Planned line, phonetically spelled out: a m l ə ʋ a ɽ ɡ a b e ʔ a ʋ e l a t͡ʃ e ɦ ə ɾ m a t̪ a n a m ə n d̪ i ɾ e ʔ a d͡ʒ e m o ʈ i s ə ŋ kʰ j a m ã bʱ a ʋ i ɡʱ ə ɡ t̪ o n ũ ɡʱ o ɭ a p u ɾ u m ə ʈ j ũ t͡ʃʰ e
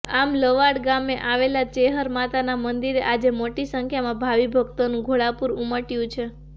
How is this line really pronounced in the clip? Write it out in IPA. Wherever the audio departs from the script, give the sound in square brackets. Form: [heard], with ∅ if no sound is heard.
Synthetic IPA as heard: a m l ə ʋ a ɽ ɡ a [m] e ʔ a ʋ e l a t͡ʃ e ɦ ə ɾ m a t̪ a n a m ə n d̪ i ɾ e ʔ a d͡ʒ e m o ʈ i s ə ŋ kʰ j a m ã bʱ a ʋ i [bʱ] ə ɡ t̪ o n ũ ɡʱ o ɭ a p u ɾ u m ə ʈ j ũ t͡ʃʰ e